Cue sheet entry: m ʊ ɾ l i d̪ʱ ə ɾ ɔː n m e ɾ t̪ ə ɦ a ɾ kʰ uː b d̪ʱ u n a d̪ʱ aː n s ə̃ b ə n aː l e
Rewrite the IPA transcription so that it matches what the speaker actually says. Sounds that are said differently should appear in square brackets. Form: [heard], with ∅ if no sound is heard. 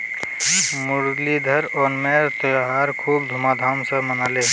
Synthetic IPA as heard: m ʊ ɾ l i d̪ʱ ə ɾ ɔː n m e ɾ t̪ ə ɦ a ɾ kʰ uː b d̪ʱ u [m] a d̪ʱ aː [m] s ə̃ [m] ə n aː l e